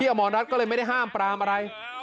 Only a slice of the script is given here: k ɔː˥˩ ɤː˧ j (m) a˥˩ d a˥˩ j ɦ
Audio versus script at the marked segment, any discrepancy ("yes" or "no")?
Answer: no